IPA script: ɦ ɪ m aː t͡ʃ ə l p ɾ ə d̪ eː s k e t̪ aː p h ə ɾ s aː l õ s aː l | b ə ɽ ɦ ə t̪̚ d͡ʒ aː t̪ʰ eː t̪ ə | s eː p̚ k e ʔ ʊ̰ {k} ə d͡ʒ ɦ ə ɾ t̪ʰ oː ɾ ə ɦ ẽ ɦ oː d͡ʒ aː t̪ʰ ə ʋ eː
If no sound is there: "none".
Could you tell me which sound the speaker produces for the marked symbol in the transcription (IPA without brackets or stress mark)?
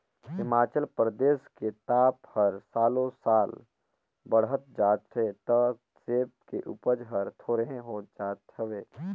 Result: p